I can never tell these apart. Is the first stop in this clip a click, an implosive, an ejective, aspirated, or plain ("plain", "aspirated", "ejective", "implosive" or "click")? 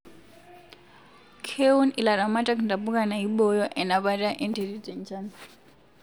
aspirated